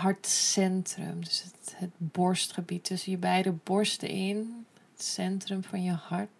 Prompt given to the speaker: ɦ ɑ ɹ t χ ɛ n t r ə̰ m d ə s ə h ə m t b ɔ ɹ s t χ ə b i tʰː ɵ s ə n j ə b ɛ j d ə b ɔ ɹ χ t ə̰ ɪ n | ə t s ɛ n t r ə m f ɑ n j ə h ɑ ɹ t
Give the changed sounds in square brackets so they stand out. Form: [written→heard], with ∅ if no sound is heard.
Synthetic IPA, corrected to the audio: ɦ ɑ ɹ t [χ→s] ɛ n t r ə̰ m d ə s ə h ə [m→∅] t b ɔ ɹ s t χ ə b i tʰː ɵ s ə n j ə b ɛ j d ə b ɔ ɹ [χ→s] t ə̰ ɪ n | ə t s ɛ n t r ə m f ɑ n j ə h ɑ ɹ t